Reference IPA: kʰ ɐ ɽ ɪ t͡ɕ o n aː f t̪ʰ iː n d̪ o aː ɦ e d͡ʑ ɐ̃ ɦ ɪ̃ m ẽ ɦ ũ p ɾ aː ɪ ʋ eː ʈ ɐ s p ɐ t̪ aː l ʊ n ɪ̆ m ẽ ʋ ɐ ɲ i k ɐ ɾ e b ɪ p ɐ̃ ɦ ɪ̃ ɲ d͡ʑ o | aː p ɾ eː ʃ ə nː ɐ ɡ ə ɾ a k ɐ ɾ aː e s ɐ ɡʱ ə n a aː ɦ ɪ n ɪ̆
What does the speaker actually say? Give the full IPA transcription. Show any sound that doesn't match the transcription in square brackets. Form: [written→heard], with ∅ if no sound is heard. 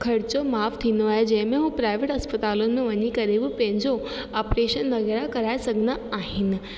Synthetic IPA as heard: kʰ ɐ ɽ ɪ t͡ɕ o [n→m] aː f t̪ʰ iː n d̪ o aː ɦ e d͡ʑ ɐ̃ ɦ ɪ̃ m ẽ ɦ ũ p ɾ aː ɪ ʋ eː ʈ ɐ s p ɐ t̪ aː l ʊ n ɪ̆ m ẽ ʋ ɐ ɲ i k ɐ ɾ e b ɪ p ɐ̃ ɦ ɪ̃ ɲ d͡ʑ o | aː p ɾ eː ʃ ə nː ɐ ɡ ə ɾ a k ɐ ɾ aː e s ɐ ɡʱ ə n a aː ɦ ɪ n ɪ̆